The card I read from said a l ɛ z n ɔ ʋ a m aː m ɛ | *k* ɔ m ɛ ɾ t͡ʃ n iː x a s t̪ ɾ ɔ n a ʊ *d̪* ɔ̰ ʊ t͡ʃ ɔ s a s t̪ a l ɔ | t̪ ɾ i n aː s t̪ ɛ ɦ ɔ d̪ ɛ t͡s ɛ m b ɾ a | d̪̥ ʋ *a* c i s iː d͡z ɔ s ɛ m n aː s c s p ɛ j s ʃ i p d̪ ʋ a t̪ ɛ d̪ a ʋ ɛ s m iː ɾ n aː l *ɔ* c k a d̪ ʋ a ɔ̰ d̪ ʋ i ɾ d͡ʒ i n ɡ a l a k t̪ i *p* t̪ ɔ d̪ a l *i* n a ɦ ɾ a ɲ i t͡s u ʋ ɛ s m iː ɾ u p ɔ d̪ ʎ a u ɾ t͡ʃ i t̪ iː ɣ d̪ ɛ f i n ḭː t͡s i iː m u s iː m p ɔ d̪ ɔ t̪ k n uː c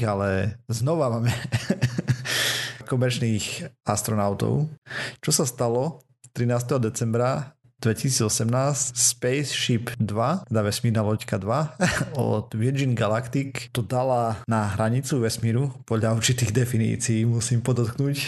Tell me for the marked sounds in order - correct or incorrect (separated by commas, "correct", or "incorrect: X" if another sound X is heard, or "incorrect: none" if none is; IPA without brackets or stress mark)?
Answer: correct, incorrect: t̪, incorrect: ɛ, correct, incorrect: k, incorrect: a